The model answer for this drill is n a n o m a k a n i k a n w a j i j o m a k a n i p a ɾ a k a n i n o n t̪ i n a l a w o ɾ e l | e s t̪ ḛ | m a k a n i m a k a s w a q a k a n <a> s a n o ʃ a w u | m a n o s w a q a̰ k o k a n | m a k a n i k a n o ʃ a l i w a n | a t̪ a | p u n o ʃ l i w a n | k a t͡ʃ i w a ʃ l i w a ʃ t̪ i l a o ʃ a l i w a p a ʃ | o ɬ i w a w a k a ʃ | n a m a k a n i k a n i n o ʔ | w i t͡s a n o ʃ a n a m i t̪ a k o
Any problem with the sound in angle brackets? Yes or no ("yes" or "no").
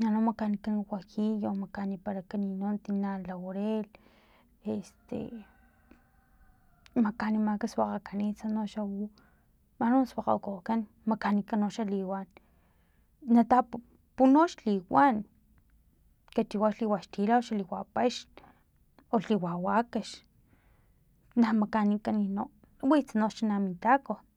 yes